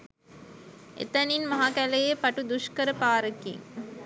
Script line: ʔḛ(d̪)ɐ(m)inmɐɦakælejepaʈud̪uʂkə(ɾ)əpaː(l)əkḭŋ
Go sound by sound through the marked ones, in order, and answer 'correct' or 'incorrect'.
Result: incorrect: t̪, incorrect: n, correct, incorrect: ɾ

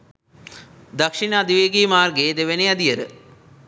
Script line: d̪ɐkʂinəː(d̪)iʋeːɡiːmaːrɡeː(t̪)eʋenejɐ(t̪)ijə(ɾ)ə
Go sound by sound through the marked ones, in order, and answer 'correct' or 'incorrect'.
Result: correct, incorrect: d̪, incorrect: d̪, correct

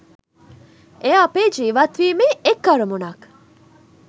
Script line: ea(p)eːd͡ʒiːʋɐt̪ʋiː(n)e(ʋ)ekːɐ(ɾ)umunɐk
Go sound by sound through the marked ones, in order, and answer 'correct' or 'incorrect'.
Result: correct, incorrect: m, incorrect: none, correct

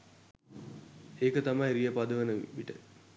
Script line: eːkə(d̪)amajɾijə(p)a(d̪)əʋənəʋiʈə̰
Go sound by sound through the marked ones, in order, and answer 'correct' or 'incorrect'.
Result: incorrect: t̪, correct, correct

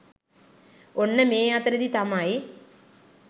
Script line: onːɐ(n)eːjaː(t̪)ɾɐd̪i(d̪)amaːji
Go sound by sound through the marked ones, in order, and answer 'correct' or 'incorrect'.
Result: incorrect: m, correct, incorrect: t̪

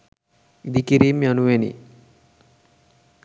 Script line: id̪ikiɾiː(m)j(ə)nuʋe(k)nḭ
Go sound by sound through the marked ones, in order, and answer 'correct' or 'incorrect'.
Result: correct, incorrect: a, incorrect: none

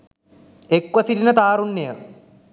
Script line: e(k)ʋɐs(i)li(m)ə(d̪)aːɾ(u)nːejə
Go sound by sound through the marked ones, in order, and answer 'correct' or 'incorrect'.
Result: correct, correct, incorrect: n, incorrect: t̪, correct

